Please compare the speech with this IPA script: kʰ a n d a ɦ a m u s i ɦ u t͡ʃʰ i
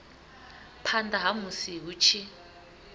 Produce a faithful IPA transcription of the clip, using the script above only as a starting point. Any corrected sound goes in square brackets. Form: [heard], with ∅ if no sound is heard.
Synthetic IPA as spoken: [pʰ] a n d a ɦ a m u s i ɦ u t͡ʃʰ i